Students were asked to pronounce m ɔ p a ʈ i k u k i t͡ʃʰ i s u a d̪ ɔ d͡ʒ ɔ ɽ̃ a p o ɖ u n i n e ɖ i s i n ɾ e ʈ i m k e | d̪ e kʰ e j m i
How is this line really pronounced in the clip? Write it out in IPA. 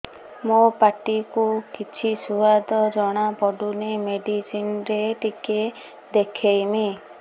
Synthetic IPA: m o p a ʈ i k u k i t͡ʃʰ i s u a d̪ ɔ d͡ʒ ɔ ɽ̃ a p ɔ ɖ u n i m e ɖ i s i n ɾ e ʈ i k e | d̪ e kʰ e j m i